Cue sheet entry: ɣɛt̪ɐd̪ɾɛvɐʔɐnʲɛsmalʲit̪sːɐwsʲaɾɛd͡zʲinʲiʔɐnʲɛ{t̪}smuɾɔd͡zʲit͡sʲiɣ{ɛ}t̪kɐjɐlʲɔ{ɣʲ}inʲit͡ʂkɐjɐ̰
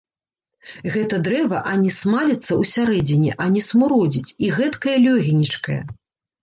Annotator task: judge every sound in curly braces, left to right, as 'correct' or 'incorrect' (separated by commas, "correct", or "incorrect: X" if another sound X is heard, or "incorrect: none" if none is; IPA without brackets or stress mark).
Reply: incorrect: none, correct, correct